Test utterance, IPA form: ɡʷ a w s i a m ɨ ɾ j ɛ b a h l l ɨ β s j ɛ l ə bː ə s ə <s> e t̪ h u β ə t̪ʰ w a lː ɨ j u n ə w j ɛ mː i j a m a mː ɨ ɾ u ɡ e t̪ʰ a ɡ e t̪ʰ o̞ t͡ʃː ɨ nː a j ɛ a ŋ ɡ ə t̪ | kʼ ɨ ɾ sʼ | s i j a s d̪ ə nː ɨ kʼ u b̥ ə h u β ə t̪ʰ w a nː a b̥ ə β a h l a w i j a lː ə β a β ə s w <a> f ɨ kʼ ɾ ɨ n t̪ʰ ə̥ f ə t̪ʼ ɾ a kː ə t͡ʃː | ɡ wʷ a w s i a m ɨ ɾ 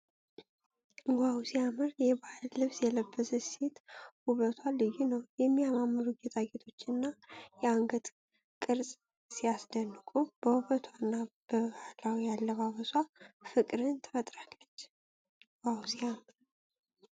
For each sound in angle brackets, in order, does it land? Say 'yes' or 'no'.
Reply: yes, yes

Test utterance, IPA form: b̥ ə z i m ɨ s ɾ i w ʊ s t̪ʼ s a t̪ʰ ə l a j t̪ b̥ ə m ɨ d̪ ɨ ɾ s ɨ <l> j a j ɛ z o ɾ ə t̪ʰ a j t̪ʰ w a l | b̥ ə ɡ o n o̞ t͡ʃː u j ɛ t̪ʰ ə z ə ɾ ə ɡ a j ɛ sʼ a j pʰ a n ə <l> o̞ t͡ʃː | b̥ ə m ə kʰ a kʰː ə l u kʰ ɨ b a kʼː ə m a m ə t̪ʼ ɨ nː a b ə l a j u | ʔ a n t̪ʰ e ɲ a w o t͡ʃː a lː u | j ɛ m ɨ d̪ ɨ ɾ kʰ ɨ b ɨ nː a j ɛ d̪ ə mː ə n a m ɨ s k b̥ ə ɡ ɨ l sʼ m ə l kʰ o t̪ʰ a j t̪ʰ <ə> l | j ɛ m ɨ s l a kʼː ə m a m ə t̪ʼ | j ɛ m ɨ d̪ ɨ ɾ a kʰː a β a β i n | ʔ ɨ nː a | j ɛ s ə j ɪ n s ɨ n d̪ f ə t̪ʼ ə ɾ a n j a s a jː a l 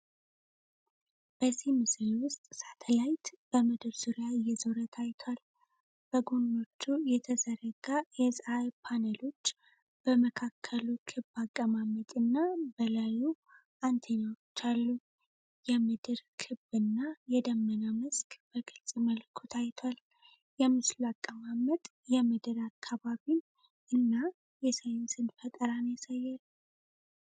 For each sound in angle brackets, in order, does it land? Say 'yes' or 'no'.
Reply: no, yes, no

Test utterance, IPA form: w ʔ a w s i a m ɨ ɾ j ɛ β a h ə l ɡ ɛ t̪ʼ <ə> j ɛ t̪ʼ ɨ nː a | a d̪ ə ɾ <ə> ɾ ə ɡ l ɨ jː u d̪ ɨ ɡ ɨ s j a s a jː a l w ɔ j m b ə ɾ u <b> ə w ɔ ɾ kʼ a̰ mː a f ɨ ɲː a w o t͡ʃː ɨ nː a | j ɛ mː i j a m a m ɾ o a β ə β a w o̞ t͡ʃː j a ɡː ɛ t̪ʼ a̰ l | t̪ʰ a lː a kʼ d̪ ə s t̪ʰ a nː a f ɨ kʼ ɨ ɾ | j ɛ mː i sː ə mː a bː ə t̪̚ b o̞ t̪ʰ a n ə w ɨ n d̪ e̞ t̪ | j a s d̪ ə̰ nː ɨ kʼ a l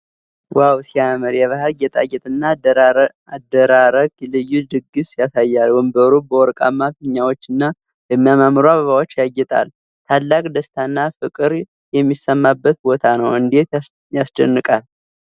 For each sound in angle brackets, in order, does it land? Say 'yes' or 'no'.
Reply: no, no, yes

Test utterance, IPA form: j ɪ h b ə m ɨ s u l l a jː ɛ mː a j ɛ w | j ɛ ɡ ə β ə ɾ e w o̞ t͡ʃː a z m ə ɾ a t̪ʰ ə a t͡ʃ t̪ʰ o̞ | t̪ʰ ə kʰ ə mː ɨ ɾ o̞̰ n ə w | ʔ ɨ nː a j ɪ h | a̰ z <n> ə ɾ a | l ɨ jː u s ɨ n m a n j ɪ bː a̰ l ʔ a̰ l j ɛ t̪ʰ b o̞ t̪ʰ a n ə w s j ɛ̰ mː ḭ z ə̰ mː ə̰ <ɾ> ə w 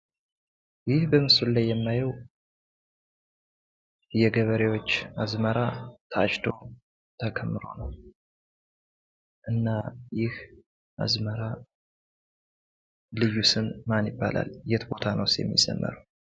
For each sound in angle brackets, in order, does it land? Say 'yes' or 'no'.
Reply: no, yes

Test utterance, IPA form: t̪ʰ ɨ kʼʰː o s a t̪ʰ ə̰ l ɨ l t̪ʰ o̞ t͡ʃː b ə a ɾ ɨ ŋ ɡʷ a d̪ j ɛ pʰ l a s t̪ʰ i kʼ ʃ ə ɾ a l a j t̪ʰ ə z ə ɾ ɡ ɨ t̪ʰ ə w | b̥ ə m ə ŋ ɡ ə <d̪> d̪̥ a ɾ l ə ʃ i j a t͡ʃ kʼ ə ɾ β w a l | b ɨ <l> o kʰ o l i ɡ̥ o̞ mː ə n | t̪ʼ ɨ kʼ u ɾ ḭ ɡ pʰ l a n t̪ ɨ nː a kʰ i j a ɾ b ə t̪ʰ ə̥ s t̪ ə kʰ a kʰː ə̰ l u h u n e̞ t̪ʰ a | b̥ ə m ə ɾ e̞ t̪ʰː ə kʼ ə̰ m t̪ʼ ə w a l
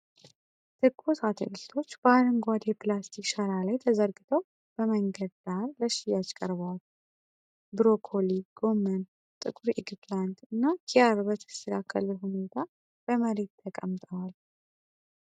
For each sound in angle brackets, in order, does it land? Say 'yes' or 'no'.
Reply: yes, no

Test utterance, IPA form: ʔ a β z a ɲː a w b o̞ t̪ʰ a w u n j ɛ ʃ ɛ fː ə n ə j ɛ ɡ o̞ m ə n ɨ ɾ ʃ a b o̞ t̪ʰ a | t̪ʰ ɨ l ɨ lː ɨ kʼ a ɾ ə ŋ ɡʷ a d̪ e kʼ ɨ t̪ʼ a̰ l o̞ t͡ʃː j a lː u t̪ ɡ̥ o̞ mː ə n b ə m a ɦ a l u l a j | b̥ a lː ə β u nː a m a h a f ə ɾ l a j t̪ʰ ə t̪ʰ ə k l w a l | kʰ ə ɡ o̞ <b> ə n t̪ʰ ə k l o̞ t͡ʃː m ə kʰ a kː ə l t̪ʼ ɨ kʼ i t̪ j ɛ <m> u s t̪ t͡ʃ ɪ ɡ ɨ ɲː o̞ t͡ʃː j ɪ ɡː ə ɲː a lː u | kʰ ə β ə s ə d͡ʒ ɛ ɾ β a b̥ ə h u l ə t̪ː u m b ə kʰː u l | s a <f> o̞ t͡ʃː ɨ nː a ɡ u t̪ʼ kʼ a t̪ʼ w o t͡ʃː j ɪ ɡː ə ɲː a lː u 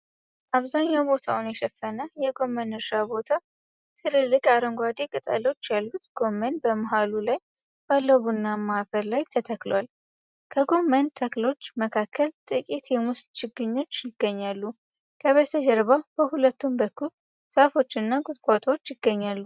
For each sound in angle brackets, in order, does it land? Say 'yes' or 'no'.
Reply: no, yes, yes

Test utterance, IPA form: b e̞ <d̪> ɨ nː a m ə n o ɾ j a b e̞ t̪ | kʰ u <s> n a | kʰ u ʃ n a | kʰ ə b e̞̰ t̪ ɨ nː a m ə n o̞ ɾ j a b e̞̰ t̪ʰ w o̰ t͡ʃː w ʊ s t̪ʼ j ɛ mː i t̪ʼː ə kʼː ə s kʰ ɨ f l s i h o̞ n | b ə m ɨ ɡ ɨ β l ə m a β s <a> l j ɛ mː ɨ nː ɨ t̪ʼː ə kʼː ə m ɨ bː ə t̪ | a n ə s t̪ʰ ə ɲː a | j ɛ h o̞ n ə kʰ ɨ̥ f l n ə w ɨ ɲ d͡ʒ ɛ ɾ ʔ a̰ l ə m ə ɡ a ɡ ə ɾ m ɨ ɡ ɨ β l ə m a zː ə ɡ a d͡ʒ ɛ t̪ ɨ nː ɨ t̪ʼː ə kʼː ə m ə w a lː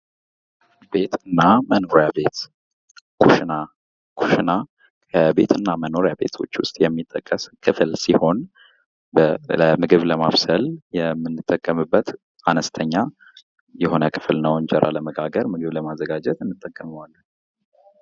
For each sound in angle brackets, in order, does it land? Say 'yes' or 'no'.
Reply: no, no, no

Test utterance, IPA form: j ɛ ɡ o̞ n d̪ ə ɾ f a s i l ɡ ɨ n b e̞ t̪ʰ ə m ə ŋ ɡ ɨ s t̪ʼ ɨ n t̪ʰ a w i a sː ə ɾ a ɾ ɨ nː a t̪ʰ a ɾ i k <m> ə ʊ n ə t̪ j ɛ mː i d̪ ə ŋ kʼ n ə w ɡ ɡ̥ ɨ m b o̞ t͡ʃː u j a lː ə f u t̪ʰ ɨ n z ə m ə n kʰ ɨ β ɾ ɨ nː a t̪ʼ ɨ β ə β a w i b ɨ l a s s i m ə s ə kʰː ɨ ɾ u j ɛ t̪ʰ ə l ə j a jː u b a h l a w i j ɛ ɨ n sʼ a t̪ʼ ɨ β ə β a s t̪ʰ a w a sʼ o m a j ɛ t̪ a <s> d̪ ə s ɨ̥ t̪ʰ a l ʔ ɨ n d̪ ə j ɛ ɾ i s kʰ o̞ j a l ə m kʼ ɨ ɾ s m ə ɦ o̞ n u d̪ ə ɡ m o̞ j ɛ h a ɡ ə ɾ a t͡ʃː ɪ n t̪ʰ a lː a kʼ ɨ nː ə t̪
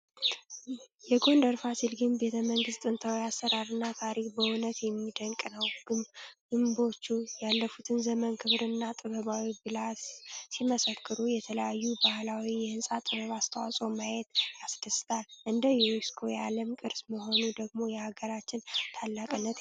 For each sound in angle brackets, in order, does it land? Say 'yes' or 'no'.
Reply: no, yes

